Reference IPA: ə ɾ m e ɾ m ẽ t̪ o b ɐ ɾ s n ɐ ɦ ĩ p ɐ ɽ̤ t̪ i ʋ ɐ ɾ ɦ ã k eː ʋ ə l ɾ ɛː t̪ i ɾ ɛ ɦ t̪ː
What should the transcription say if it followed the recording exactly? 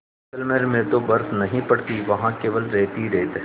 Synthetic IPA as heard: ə l m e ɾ m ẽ t̪ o b ɐ ɾ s n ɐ ɦ ĩ p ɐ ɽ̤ t̪ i ʋ ɐ ɦ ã k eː ʋ ə l ɾ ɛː t̪ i ɾ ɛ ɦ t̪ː